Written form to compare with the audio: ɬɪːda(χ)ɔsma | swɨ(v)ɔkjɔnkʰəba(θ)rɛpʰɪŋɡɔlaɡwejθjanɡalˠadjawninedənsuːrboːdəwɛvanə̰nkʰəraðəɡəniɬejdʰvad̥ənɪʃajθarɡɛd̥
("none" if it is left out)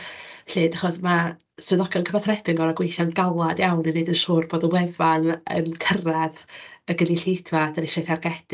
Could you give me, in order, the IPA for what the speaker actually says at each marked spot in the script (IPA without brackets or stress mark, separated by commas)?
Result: χ, ð, θ